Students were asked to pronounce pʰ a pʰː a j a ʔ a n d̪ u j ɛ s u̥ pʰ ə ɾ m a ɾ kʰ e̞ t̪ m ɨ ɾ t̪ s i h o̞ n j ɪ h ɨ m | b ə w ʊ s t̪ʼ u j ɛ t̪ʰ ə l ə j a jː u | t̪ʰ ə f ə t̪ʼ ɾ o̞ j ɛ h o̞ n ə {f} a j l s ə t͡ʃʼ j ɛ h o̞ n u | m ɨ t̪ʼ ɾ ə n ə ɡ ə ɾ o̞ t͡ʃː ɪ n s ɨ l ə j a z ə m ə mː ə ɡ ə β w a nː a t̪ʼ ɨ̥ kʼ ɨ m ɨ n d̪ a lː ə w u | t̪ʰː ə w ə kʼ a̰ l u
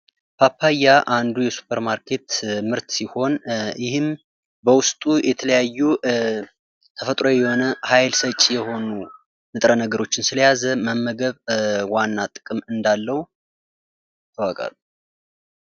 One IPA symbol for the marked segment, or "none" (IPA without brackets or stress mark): h